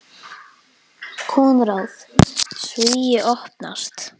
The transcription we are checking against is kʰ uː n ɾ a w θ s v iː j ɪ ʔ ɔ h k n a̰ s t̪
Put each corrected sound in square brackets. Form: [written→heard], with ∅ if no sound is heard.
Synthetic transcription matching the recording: kʰ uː n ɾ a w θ s v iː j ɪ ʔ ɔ h [k→p] n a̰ s t̪